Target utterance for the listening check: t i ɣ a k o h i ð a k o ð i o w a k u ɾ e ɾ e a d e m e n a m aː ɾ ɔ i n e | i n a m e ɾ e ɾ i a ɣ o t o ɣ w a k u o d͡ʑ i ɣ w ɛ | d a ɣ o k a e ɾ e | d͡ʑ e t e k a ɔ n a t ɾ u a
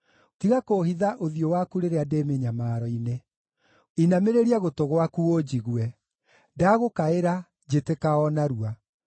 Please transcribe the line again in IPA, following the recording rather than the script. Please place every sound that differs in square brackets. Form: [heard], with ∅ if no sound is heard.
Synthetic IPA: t i ɣ a k o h i ð a [ʔ] o ð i o w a k u ɾ e ɾ e a d e m e [ɲ] a m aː ɾ ɔ i n e | i n a m e ɾ e ɾ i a ɣ o t o ɣ w a k u o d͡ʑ i ɣ w ɛ | d a ɣ o k a e ɾ [a] | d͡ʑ e t e k a ɔ n a [∅] ɾ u a

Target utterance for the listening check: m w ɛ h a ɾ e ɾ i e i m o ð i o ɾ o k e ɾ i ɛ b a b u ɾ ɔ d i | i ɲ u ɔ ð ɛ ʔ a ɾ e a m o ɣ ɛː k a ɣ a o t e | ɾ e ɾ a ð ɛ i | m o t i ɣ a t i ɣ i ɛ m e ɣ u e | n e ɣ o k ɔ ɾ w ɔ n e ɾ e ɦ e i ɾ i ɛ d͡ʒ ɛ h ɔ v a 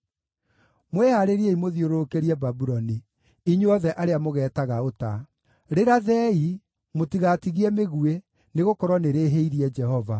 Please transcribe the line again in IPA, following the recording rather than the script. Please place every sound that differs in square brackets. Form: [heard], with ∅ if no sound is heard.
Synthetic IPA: m w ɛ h a ɾ e ɾ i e i m o ð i o ɾ o k e ɾ i ɛ b a b u ɾ ɔ [n] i | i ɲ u ɔ ð ɛ ʔ a ɾ e a m o ɣ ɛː [t] a ɣ a o t [a] | ɾ e ɾ a ð ɛ i | m o t i ɣ a t i ɣ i ɛ m e ɣ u e | n e ɣ o k ɔ ɾ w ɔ n e ɾ e ɦ e i ɾ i ɛ d͡ʒ ɛ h ɔ v a

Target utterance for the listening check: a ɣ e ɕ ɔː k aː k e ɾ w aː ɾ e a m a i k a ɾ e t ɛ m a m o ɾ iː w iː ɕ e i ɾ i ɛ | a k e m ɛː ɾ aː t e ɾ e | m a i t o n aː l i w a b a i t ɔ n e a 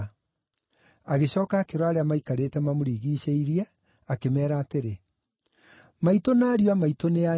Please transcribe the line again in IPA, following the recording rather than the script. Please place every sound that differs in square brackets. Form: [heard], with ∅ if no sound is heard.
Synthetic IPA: a ɣ e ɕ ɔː k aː k e ɾ w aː ɾ e a m a i k a ɾ e t ɛ m a m o ɾ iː [ɣ] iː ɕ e i ɾ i ɛ | a k e m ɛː ɾ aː t e ɾ e | m a i t o n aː [ɾ] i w a [m] a i t [o] n e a

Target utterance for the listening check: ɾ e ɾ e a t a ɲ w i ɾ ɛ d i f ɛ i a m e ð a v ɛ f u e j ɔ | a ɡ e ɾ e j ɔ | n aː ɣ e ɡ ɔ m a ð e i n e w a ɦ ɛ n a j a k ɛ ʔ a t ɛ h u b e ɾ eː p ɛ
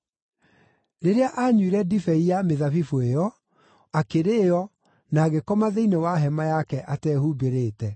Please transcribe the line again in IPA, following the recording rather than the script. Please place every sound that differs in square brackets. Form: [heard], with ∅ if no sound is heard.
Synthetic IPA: ɾ e ɾ e a [ʔ] a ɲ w i ɾ ɛ d i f ɛ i a m e ð a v [i] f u e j ɔ | a [k] e ɾ e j ɔ | n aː ɣ e [k] ɔ m a ð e i n e w a ɦ ɛ [m] a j a k ɛ ʔ a t ɛ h u b e ɾ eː [t] ɛ

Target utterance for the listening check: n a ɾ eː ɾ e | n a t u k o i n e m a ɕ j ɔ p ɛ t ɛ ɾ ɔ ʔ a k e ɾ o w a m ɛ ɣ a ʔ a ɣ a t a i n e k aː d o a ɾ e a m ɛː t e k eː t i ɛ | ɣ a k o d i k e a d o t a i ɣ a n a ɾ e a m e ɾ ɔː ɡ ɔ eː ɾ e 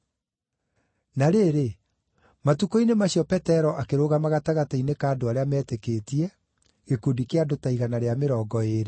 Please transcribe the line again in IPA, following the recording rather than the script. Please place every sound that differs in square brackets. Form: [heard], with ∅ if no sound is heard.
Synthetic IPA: n a ɾ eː ɾ e | [m] a t u k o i n e m a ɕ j ɔ p ɛ t ɛ ɾ ɔ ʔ a k e ɾ o [ɣ] a m [a] ɣ a [t] a ɣ a t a i n e k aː d o a ɾ e a m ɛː t e k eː t i ɛ | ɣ [e] k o d i k e a d o t a i ɣ a n a ɾ e a m e ɾ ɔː ɡ ɔ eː ɾ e

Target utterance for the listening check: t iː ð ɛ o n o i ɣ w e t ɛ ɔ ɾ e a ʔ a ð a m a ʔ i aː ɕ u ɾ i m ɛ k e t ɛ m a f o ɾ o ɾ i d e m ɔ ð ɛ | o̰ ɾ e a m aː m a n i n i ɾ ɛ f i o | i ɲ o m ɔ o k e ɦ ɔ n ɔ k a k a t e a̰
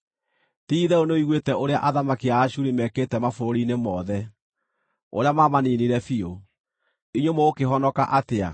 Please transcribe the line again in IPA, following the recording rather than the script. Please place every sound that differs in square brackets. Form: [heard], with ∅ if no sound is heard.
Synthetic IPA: t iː ð ɛ o n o i ɣ w e t ɛ [o] ɾ e a ʔ a ð a m a [k] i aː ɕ u ɾ i m ɛ k e t ɛ m a f o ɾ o ɾ i [n] e m ɔ ð ɛ | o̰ ɾ e a m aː m a n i n i ɾ ɛ f i o | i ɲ o m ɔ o k e ɦ ɔ n ɔ k a [ʔ] a t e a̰

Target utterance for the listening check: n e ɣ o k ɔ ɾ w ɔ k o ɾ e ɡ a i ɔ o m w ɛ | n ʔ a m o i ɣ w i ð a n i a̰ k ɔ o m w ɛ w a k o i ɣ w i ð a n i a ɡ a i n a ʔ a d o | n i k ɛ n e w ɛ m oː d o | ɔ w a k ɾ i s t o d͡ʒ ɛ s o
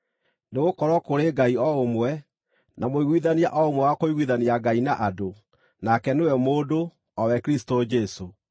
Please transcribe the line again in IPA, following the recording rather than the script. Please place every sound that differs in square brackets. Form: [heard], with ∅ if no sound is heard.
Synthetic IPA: n e ɣ o k ɔ ɾ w ɔ k o ɾ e ɡ a i ɔ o m w ɛ | n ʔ a m o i ɣ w i ð a n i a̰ [ʔ] ɔ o m w ɛ w a k o i ɣ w i ð a n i a ɡ a i n a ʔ a d o | n [a] k ɛ n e w ɛ m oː d o | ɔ w [ɛ] k ɾ i s t o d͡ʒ ɛ s o

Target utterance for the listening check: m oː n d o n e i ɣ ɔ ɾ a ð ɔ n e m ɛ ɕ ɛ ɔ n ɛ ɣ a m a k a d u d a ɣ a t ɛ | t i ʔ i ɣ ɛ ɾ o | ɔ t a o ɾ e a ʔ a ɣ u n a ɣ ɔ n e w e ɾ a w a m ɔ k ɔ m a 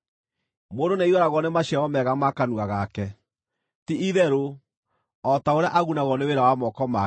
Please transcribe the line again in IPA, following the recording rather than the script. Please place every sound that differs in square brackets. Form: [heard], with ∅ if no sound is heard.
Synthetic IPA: m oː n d o n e i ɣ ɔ ɾ a [ɣ] ɔ n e m [a] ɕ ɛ ɔ [m] ɛ ɣ a m a k a [n] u [∅] a ɣ a [k] ɛ | t i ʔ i [ð] ɛ ɾ o | ɔ t a o ɾ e a ʔ a ɣ u n a ɣ ɔ n e w e ɾ a w a m ɔ k ɔ m a

